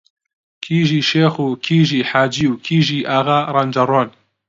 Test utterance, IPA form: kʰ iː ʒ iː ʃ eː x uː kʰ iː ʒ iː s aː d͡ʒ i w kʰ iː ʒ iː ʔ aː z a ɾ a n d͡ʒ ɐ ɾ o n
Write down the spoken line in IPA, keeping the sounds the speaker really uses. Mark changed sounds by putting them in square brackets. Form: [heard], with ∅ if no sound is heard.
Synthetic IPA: kʰ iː ʒ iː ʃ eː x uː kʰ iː ʒ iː [ħ] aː d͡ʒ i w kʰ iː ʒ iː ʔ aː [ɣ] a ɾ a n d͡ʒ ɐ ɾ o n